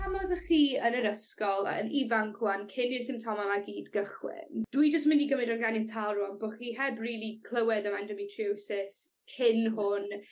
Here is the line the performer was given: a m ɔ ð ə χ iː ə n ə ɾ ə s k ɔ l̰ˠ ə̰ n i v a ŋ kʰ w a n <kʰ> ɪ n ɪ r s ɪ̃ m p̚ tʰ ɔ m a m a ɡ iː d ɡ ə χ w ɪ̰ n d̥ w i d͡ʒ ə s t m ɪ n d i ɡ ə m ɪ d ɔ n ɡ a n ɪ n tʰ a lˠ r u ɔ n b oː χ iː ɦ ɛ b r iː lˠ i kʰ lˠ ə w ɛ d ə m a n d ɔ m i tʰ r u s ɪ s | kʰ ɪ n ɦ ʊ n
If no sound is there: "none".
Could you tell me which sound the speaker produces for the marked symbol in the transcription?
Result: kʰ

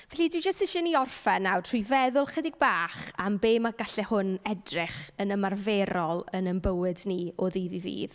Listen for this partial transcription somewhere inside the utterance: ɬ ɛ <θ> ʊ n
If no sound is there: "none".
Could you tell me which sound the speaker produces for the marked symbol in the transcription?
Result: h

